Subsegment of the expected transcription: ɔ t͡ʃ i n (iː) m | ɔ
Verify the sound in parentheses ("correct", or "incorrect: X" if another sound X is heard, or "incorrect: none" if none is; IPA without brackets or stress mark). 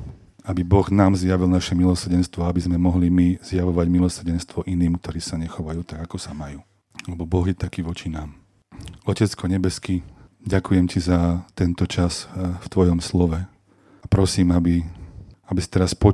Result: incorrect: aː